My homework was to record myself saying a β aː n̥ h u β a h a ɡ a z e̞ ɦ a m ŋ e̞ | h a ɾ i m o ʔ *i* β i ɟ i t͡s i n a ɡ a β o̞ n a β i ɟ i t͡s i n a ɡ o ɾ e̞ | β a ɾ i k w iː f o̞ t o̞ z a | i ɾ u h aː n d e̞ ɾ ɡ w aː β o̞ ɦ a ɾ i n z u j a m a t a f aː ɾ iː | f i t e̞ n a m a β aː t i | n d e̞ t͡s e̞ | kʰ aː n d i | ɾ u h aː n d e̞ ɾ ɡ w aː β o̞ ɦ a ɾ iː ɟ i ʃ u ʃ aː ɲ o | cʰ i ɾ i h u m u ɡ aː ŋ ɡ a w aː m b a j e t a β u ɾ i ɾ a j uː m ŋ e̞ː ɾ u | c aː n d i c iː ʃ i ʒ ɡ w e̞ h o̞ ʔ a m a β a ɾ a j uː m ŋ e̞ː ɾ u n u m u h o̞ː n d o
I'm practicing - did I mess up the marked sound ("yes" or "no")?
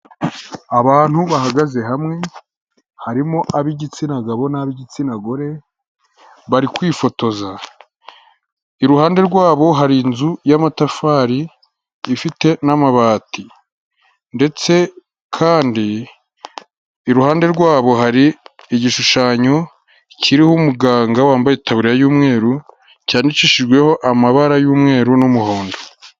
yes